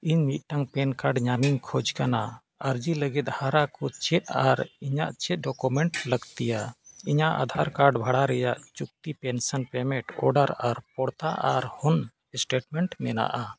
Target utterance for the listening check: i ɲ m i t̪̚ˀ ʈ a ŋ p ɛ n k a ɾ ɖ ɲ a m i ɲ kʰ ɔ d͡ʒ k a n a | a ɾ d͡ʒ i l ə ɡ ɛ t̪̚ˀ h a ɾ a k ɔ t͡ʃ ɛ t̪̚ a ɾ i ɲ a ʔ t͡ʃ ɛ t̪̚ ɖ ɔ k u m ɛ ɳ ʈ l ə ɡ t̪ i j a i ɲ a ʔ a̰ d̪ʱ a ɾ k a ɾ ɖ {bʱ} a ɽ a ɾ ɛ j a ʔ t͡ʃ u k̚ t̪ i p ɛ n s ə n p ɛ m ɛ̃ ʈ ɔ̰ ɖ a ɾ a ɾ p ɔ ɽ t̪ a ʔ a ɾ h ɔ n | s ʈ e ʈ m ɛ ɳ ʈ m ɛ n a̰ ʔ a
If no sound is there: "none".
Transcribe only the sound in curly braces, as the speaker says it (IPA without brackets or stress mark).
bʱ